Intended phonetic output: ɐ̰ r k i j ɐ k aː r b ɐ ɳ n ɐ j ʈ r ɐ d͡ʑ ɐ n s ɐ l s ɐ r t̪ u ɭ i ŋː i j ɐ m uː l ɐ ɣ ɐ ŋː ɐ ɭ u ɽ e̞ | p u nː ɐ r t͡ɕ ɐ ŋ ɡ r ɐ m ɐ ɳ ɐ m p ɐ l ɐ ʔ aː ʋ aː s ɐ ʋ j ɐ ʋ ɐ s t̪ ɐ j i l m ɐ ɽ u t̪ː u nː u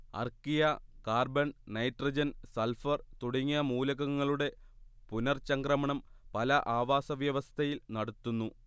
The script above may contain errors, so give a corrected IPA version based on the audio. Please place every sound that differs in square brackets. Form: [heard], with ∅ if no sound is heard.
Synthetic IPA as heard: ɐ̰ r k i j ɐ k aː r b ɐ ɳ n ɐ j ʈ r ɐ d͡ʑ ɐ n s ɐ l [f] ɐ r t̪ u [ɽ] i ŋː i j ɐ m uː l ɐ ɣ ɐ ŋː ɐ ɭ u ɽ e̞ | p u [n] ɐ r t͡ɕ ɐ ŋ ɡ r ɐ m ɐ ɳ ɐ m p ɐ l ɐ ʔ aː ʋ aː s ɐ ʋ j ɐ ʋ ɐ s [t̪ʰ] ɐ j i l [n] ɐ ɽ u t̪ː u nː u